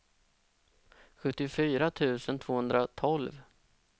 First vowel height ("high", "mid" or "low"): mid